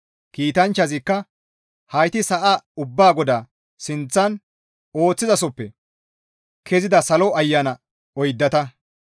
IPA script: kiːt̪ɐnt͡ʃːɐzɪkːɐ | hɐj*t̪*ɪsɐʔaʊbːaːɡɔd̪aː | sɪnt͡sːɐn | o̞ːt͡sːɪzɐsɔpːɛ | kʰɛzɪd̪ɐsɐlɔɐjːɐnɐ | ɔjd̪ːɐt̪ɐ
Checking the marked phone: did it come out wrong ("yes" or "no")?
no